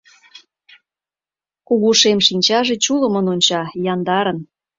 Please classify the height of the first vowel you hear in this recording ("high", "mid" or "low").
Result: high